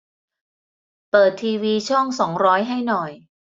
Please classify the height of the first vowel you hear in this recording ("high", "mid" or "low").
mid